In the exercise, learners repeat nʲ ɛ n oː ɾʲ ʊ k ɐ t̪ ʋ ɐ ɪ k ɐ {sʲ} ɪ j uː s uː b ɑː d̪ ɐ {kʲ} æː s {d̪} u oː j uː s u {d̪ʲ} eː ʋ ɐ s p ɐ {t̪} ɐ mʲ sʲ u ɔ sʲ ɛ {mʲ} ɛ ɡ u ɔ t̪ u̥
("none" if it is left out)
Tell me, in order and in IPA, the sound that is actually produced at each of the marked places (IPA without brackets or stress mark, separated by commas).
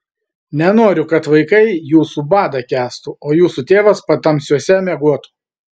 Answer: none, kʲ, t̪, t̪ʲ, t̪, mʲ